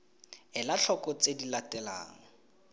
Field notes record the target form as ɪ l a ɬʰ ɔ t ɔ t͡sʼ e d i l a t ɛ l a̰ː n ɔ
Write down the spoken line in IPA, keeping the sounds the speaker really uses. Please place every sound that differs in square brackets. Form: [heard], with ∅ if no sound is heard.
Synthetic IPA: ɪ l a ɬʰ ɔ [k] ɔ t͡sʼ e d i l a t ɛ l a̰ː [ŋ] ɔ